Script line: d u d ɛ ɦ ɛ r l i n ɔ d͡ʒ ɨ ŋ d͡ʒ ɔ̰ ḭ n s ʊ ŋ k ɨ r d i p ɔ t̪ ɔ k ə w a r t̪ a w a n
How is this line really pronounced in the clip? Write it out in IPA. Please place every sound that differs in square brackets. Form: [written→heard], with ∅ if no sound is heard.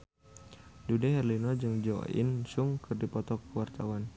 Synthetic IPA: d u d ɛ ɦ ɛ r l i n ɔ d͡ʒ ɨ ŋ d͡ʒ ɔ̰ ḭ n s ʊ ŋ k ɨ r d i p ɔ t̪ ɔ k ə w a r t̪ a w a n